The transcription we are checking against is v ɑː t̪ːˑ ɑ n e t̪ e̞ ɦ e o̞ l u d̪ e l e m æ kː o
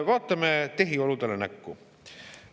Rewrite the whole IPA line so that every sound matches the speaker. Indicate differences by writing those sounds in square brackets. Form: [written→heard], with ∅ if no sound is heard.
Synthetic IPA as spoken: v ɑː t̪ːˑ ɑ [n→m] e t̪ e̞ ɦ [e→i] o̞ l u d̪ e l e [m→n] æ kː [o→u]